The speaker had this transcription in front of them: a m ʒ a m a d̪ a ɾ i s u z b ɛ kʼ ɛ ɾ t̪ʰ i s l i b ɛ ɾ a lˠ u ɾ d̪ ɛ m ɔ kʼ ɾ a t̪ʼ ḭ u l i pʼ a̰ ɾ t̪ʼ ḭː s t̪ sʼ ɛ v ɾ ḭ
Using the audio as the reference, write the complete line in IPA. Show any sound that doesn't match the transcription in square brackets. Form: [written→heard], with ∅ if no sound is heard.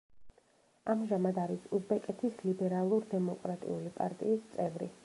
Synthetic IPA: a m ʒ a m a d̪ a ɾ i s u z b ɛ kʼ ɛ [ɾ→∅] t̪ʰ i s l i b ɛ ɾ a lˠ u ɾ d̪ ɛ m ɔ kʼ ɾ a t̪ʼ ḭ u l i pʼ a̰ ɾ t̪ʼ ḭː s t̪ sʼ ɛ v ɾ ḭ